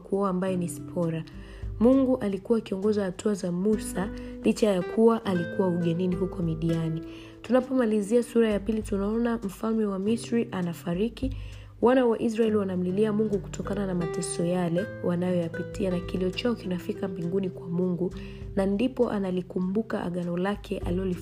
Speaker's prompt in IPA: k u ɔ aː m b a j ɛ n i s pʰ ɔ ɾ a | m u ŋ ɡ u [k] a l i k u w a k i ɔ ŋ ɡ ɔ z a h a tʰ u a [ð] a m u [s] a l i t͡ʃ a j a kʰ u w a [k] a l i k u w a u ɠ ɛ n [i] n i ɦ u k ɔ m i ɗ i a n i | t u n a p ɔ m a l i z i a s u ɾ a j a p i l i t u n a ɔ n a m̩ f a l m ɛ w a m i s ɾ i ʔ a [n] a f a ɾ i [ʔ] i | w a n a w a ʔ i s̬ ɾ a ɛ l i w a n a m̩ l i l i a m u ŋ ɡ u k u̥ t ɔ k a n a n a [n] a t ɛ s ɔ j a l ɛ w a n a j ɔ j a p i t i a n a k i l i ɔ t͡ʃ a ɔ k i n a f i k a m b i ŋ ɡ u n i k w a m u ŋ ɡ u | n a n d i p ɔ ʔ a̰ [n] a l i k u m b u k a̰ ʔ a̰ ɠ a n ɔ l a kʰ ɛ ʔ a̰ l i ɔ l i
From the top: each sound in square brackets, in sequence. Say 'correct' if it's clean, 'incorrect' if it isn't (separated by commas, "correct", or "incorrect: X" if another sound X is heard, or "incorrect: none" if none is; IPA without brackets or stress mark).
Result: incorrect: ʔ, incorrect: z, correct, incorrect: ʔ, correct, correct, incorrect: k, incorrect: m, correct